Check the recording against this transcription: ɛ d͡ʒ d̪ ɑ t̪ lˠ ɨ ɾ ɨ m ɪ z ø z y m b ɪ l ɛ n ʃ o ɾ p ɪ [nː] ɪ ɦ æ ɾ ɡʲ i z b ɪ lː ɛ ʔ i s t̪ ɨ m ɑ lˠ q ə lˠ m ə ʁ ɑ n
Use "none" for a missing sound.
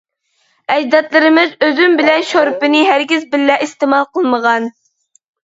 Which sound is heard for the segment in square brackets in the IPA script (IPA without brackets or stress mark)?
n